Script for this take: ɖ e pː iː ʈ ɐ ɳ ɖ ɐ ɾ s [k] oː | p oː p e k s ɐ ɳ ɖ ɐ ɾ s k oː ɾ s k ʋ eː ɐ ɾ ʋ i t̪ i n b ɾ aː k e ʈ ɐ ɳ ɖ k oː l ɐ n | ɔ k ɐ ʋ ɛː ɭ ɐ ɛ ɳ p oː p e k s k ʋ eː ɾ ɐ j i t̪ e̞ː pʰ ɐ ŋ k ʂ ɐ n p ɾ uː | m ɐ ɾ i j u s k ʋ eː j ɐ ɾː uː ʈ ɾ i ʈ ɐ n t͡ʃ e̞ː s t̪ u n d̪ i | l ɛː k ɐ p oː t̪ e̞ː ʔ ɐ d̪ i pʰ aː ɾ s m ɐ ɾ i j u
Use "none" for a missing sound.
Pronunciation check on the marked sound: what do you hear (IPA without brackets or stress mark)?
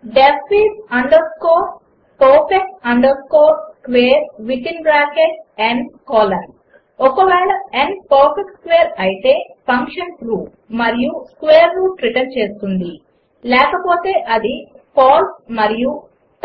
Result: k